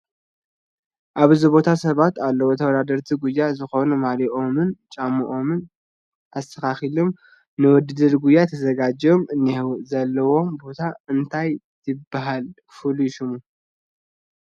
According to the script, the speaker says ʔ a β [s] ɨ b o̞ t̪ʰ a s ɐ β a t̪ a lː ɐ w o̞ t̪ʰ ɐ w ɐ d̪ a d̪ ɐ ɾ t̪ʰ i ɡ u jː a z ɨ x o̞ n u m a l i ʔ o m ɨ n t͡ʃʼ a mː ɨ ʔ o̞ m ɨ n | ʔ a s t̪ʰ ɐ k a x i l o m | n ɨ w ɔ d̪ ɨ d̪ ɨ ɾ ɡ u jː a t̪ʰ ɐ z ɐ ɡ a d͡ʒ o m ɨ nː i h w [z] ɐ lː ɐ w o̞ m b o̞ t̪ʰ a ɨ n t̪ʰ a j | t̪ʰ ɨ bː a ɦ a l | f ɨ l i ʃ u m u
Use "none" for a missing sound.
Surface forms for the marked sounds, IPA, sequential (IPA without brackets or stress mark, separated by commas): z, z